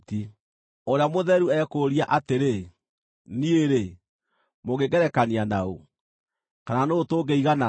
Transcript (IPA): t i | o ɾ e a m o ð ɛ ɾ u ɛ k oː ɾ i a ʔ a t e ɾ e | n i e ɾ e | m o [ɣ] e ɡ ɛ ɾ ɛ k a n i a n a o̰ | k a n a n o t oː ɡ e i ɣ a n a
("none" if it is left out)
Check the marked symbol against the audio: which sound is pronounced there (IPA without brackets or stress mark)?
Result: ɣ